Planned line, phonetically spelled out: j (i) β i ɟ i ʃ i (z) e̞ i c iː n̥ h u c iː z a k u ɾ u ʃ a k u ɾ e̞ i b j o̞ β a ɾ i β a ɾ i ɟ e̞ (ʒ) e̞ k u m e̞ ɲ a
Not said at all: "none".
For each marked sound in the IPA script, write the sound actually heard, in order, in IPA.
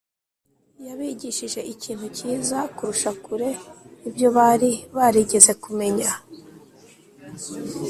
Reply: a, ʒ, z

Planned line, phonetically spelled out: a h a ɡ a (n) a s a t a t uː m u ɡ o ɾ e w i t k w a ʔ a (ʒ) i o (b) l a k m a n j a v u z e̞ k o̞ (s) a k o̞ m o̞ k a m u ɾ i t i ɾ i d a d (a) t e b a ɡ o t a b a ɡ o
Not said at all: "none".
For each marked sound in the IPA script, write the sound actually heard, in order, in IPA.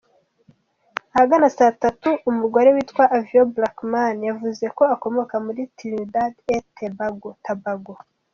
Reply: n, v, b, none, e

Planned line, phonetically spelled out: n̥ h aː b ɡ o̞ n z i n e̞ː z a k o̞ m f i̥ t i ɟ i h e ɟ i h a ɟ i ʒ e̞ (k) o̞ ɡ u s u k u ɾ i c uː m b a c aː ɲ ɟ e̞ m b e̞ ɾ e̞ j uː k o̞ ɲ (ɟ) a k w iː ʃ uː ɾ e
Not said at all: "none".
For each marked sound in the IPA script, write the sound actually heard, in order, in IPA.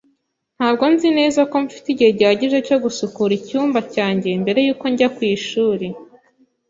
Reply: c, ɟ

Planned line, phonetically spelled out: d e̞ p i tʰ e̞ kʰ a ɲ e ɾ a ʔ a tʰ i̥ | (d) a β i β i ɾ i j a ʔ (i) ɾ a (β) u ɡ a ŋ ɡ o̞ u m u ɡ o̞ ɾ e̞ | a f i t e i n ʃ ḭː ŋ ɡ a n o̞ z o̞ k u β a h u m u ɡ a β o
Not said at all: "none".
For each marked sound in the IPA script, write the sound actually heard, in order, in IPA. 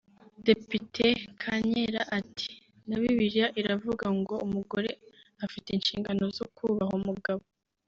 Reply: n, i, v

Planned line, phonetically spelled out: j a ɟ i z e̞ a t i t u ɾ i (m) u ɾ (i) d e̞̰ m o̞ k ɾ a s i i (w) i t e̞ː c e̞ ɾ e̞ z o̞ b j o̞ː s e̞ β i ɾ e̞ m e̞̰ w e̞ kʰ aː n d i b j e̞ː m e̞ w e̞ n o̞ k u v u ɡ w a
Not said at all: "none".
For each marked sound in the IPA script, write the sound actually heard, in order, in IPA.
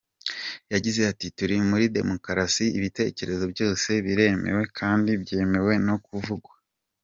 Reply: m, i, β

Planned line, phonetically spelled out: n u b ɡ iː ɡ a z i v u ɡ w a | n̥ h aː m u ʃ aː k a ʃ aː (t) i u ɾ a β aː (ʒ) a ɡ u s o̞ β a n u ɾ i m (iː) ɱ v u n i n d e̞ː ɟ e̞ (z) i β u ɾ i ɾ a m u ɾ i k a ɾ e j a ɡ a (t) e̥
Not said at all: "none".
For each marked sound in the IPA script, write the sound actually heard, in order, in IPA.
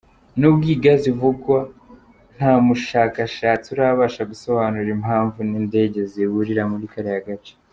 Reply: t͡s, ʃ, aː, z, t͡ʃ

